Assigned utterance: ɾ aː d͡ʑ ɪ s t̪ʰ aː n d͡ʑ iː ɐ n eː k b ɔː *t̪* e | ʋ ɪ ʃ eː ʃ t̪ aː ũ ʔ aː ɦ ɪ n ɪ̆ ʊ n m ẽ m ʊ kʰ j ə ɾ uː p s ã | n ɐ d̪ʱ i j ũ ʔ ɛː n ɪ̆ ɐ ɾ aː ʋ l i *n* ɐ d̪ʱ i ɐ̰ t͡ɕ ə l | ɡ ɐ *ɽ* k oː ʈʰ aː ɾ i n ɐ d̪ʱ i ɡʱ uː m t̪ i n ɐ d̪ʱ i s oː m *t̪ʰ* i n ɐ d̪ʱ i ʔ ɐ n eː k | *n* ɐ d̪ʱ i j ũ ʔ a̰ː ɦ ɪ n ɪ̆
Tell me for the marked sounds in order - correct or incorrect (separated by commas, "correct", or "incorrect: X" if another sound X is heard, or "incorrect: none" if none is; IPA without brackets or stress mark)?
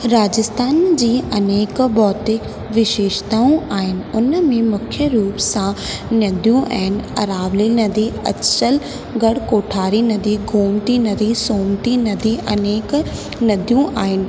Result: correct, correct, correct, incorrect: t̪, correct